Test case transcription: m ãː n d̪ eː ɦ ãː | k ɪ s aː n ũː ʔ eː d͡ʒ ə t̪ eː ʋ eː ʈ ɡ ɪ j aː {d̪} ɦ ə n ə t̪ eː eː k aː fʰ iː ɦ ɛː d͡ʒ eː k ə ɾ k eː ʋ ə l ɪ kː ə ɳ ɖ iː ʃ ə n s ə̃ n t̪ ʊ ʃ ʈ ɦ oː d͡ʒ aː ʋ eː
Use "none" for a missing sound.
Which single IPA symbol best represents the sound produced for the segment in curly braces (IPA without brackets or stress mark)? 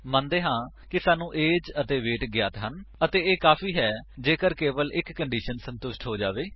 t̪